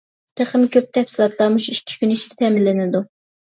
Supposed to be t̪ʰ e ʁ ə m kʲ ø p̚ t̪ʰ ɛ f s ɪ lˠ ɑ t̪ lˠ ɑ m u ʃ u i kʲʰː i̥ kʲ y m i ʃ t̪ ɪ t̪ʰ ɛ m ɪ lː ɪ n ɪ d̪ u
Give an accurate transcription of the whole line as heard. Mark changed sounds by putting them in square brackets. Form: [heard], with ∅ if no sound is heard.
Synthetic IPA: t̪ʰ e [χ] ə m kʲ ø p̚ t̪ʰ ɛ f s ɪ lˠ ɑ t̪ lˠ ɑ m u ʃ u i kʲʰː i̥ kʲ y [n] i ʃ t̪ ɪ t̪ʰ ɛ m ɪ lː ɪ n ɪ d̪ u